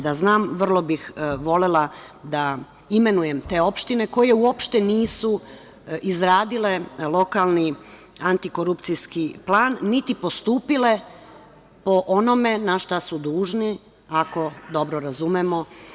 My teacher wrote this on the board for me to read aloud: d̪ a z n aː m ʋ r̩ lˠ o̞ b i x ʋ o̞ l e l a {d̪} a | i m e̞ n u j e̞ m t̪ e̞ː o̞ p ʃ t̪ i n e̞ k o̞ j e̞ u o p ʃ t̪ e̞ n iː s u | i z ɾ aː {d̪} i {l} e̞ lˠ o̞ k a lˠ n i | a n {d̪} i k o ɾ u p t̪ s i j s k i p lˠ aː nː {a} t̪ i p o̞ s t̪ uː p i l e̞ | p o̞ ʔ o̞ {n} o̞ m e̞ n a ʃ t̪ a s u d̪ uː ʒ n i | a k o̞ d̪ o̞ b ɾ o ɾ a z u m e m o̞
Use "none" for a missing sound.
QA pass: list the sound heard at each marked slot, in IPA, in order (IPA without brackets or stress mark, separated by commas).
d̪, d̪, l, t̪, i, n